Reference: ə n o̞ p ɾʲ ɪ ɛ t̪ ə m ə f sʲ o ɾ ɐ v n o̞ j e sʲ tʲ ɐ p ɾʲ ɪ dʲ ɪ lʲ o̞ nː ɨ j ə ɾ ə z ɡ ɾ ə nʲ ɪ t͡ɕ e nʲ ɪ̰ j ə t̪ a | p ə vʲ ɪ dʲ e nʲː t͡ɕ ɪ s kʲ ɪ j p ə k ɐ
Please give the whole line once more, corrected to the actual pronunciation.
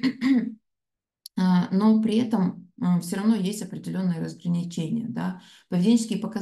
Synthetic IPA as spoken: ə n o̞ p ɾʲ ɪ ɛ t̪ ə m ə f sʲ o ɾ ɐ v n o̞ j e sʲ tʲ ɐ p ɾʲ ɪ dʲ ɪ lʲ o̞ nː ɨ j ə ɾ ə z ɡ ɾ ə nʲ ɪ t͡ɕ e nʲ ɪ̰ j ə d̪ a | p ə vʲ ɪ dʲ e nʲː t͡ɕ ɪ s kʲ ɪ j p ə k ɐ

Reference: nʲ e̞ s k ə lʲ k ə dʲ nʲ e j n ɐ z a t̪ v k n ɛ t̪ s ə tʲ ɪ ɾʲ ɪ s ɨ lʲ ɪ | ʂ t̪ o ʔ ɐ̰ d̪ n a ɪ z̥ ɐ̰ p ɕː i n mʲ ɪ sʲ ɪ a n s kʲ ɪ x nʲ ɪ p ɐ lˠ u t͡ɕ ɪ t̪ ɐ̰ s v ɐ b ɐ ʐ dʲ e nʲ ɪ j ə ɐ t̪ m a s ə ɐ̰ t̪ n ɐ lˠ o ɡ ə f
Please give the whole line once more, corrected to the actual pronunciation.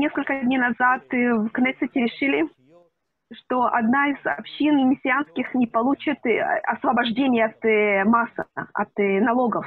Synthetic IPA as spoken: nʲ e̞ s k ə lʲ k ə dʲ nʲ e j n ɐ z a t̪ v k n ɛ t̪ s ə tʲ ɪ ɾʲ ɪ ʂ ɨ lʲ ɪ | ʂ t̪ o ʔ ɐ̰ d̪ n a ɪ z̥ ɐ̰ p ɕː i n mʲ ɪ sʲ ɪ a n s kʲ ɪ x nʲ ɪ p ɐ lˠ u t͡ɕ ɪ t̪ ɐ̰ s v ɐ b ɐ ʐ dʲ e nʲ ɪ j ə ɐ t̪ m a s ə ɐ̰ t̪ n ɐ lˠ o ɡ ə f

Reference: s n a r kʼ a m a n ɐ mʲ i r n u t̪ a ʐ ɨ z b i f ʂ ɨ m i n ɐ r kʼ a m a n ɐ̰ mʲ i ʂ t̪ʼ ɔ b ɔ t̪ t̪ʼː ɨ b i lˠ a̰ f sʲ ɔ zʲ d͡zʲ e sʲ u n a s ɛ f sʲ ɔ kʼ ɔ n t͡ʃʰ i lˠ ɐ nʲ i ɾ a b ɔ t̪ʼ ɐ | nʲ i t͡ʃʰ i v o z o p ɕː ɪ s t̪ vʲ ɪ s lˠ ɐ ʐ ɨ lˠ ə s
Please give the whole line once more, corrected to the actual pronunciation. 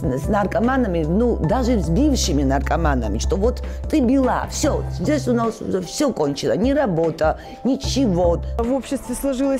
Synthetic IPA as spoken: s n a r kʼ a m a n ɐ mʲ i n u d̪ a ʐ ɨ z b i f ʂ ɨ m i n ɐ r kʼ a m a n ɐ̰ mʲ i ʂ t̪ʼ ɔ v ɔ t̪ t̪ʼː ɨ b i lˠ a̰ f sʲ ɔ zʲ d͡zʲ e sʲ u n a s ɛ f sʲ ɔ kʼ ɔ n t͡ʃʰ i lˠ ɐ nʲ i ɾ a b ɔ t̪ʼ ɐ | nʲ i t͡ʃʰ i v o v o p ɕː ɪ s t̪ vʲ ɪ s lˠ ɐ ʐ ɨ lˠ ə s

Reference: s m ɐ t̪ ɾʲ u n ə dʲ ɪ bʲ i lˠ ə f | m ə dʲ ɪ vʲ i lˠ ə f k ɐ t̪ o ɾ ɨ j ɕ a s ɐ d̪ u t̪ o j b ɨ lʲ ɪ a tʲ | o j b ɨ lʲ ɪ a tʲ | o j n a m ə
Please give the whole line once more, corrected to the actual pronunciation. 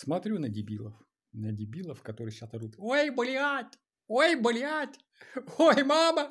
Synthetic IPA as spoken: s m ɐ t̪ ɾʲ u n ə dʲ ɪ bʲ i lˠ ə f | n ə dʲ ɪ bʲ i lˠ ə f k ɐ t̪ o ɾ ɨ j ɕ a s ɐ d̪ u t̪ o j b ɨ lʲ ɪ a tʲ | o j b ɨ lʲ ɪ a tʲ | o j m a m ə

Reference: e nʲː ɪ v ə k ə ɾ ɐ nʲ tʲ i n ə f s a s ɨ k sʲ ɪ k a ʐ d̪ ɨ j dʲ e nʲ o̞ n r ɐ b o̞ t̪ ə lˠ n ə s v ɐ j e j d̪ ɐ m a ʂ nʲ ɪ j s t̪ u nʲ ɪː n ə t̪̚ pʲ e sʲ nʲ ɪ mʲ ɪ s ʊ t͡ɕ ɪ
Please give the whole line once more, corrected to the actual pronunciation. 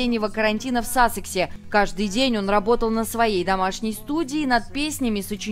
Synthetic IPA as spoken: e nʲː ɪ v ə k ə ɾ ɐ nʲ tʲ i n ə f s a s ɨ k sʲ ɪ k a ʐ d̪ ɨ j dʲ e nʲ o̞ n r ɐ b o̞ t̪ ə lˠ n ə s v ɐ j e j d̪ ɐ m a ʂ nʲ ɪ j s t̪ u dʲ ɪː n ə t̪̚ pʲ e sʲ nʲ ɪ mʲ ɪ s ʊ t͡ɕ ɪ

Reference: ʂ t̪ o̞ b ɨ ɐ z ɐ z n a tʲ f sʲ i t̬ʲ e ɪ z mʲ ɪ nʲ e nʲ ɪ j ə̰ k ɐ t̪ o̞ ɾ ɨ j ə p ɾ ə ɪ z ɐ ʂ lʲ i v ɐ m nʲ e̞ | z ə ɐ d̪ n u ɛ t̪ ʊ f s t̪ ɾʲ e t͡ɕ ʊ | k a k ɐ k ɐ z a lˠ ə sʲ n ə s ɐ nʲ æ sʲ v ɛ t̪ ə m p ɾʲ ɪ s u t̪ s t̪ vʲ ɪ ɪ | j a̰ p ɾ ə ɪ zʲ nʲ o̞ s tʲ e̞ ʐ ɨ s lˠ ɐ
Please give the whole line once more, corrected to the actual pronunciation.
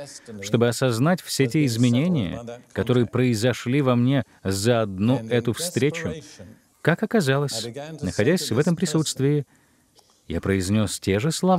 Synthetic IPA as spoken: ʂ t̪ o̞ b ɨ ɐ s ɐ z n a tʲ f sʲ e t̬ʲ e ɪ z mʲ ɪ nʲ e nʲ ɪ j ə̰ k ɐ t̪ o̞ ɾ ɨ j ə p ɾ ə ɪ z ɐ ʂ lʲ i v ɐ m nʲ e̞ | z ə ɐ d̪ n u ɛ t̪ ʊ f s t̪ ɾʲ e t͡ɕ ʊ | k a k ɐ k ɐ z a lˠ ə sʲ n ə x ɐ dʲ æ sʲ v ɛ t̪ ə m p ɾʲ ɪ s u t̪ s t̪ vʲ ɪ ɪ | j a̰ p ɾ ə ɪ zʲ nʲ o̞ s tʲ e̞ ʐ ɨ s lˠ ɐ

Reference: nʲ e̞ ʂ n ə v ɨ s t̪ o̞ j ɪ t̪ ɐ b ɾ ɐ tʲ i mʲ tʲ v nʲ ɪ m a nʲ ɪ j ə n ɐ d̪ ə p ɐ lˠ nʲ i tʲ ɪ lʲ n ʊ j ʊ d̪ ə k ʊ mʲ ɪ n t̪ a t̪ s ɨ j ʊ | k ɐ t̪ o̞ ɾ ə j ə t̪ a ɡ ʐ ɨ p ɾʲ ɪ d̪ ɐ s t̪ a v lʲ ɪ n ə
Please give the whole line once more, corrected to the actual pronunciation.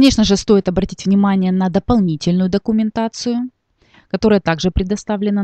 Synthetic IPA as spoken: nʲ e̞ ʂ n ə ʐ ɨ s t̪ o̞ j ɪ t̪ ɐ b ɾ ɐ tʲ i tʲ v nʲ ɪ m a nʲ ɪ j ə n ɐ d̪ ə p ɐ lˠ nʲ i tʲ ɪ lʲ n ʊ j ʊ d̪ ə k ʊ mʲ ɪ n t̪ a t̪ s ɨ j ʊ | k ɐ t̪ o̞ ɾ ə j ə t̪ a ɡ ʐ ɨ p ɾʲ ɪ d̪ ɐ s t̪ a v lʲ ɪ n ə

